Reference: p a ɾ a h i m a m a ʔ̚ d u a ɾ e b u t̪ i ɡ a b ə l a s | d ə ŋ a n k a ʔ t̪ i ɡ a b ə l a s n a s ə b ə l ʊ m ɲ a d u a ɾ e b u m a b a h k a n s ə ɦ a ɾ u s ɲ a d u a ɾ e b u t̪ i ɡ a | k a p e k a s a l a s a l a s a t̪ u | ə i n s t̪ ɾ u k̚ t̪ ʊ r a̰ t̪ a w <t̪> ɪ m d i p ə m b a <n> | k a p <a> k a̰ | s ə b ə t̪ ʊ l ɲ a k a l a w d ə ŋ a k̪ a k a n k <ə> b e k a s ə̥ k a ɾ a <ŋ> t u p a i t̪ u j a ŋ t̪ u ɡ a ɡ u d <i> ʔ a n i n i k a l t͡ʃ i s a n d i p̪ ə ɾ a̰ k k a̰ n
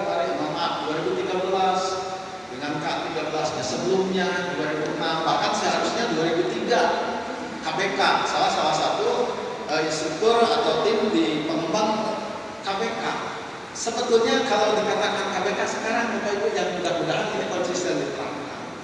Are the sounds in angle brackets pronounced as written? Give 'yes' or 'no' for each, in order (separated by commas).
yes, no, no, no, yes, no